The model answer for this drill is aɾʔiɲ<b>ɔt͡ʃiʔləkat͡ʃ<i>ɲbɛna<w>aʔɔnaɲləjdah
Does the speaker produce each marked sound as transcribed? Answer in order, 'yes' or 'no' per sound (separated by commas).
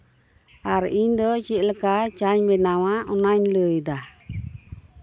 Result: no, no, yes